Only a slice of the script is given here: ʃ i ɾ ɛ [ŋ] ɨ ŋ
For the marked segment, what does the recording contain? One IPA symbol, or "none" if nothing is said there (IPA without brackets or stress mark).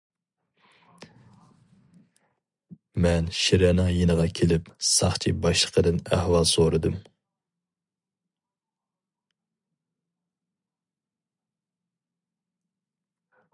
n